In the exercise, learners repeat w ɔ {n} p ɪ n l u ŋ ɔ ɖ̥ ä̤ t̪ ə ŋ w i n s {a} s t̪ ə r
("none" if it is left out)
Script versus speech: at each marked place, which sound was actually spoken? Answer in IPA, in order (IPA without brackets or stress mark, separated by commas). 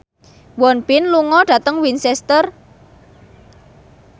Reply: n, ɛ